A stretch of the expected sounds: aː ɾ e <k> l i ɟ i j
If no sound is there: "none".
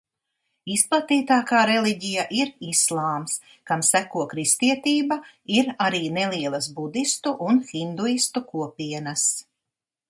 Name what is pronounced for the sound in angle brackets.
none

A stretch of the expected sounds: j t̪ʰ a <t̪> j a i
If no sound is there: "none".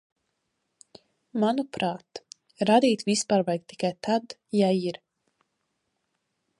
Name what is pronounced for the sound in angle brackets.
d̪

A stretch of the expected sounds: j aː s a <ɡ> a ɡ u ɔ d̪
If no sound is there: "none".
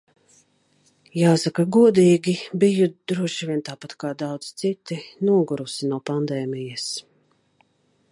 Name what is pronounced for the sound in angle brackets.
k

